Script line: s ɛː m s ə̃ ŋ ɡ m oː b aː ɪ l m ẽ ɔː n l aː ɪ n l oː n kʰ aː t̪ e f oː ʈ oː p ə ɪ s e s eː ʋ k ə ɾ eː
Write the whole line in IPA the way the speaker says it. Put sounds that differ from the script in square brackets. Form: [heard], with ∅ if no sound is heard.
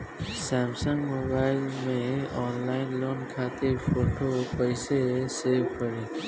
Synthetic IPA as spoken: s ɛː m s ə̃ ŋ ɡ m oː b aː ɪ l m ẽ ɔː n l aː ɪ n l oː n kʰ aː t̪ e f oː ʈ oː p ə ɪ s e s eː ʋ k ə ɾ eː